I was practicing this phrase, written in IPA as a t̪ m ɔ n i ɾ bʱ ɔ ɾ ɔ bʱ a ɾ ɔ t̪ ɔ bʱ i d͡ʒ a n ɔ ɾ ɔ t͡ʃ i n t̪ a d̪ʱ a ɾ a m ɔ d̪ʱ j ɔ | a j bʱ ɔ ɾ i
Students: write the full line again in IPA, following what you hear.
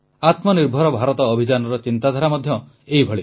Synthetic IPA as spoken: a t̪ m ɔ n i ɾ bʱ ɔ ɾ ɔ bʱ a ɾ ɔ t̪ ɔː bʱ i d͡ʒ a n ɔ ɾ ɔ t͡ʃ i n t̪ a d̪ʱ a ɾ a m ɔ d̪ʱ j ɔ | e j bʱ ɔ ɭ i